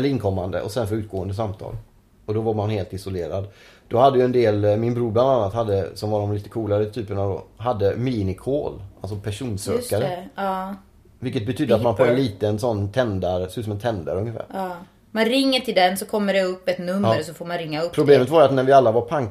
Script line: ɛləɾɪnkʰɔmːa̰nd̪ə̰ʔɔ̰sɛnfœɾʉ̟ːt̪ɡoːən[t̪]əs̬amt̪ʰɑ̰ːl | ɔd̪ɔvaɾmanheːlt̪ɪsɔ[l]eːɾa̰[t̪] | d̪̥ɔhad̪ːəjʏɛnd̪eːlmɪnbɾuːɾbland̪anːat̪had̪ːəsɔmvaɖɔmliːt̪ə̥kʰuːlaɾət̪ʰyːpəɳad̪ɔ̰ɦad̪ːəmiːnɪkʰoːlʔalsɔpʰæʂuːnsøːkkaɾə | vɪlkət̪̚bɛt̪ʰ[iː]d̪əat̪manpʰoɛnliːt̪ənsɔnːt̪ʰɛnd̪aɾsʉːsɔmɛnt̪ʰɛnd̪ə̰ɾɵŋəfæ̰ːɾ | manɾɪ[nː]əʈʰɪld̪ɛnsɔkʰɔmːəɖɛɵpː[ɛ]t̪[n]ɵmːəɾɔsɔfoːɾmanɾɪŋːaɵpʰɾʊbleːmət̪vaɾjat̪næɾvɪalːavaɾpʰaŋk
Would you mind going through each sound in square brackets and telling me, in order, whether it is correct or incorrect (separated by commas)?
incorrect, correct, incorrect, incorrect, incorrect, correct, correct